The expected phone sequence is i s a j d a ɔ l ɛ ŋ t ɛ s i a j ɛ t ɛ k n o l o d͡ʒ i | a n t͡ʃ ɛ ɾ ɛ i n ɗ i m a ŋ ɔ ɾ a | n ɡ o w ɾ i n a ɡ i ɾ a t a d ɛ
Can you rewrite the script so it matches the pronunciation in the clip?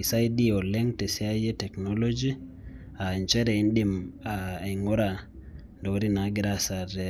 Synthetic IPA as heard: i s a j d i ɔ l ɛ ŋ t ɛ s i a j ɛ t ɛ k n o l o d͡ʒ i | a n t͡ʃ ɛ ɾ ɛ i n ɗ i m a ŋ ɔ ɾ a | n d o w ɾ i n a ɡ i ɾ a s a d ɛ